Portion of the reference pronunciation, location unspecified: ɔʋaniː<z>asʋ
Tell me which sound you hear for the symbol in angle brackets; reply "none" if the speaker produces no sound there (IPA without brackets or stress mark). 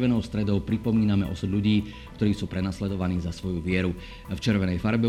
z